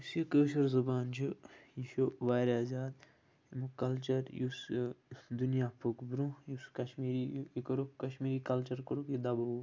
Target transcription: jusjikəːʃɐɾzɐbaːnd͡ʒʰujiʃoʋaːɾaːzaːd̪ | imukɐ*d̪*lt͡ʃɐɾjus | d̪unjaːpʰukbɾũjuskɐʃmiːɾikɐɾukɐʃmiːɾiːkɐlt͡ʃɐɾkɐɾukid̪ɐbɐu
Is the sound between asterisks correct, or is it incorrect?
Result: incorrect